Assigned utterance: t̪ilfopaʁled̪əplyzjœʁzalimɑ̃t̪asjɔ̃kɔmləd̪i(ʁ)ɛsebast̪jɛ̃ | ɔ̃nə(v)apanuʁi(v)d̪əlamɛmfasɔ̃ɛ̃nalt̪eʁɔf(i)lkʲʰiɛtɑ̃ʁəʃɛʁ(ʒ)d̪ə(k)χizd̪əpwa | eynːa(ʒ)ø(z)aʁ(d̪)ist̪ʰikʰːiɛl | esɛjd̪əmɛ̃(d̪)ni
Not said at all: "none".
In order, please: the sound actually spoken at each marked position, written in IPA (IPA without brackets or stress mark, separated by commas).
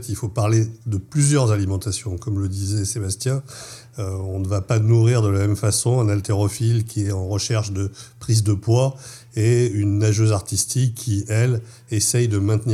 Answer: z, v, ʁ, i, ʃ, p, ʒ, z, t̪, t̪